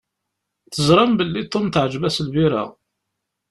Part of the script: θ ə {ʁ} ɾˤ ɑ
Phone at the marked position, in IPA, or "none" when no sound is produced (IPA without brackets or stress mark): z